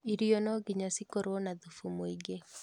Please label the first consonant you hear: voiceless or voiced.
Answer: voiced